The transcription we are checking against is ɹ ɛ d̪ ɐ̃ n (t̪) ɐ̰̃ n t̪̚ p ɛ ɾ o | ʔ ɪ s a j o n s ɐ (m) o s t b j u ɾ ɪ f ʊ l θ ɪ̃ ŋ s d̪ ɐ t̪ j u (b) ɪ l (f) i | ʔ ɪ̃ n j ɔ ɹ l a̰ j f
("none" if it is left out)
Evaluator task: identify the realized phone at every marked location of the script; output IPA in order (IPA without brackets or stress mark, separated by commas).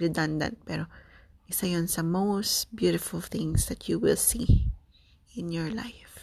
d̪, m, w, s